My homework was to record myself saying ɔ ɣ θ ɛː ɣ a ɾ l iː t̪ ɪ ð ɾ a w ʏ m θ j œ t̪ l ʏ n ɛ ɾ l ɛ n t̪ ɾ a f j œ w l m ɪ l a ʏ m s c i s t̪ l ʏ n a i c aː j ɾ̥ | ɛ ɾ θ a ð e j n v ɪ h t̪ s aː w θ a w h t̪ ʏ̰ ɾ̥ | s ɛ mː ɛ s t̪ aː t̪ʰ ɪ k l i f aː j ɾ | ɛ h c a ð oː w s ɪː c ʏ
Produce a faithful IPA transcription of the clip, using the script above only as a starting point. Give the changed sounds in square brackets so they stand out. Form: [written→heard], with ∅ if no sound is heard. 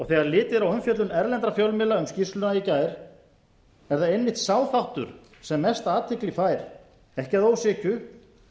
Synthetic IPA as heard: ɔ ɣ θ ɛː ɣ a ɾ l [iː→ɪː] t̪ ɪ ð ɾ a w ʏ m [θ→f] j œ t̪ l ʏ n ɛ ɾ l ɛ n t̪ ɾ a f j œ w l m ɪ l a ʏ m s c i s t̪ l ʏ n a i c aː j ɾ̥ | ɛ ɾ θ a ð e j n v ɪ h t̪ s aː w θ a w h t̪ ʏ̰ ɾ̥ | s ɛ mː ɛ s t̪ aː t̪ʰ ɪ k l i f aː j ɾ | ɛ h c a ð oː w s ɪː c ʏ